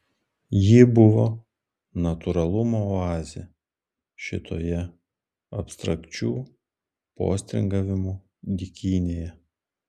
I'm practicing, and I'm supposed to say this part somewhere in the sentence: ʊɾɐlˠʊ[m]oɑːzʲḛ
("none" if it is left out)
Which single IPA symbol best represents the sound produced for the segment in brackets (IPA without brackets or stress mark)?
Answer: m